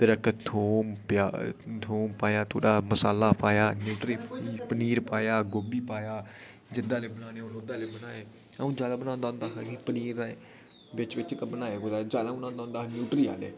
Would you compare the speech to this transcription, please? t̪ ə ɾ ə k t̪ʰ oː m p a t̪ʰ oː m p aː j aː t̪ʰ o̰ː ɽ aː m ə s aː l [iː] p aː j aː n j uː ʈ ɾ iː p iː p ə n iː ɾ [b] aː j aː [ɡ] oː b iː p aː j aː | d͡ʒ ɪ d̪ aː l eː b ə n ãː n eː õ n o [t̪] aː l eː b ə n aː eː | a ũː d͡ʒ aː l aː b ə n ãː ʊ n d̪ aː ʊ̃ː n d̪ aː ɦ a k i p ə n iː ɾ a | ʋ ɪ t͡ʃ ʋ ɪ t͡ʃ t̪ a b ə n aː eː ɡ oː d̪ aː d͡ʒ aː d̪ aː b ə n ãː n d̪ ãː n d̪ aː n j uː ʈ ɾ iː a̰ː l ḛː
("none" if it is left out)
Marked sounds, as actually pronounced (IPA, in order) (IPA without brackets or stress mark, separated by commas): aː, p, ɡ, d̪